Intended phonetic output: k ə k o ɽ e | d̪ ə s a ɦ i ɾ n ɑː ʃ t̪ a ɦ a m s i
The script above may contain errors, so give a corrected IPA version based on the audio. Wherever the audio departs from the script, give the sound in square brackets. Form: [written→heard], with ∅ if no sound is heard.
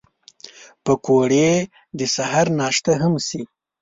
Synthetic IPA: [k→p] ə k o ɽ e | d̪ ə s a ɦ [i→a] ɾ n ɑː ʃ t̪ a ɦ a m s i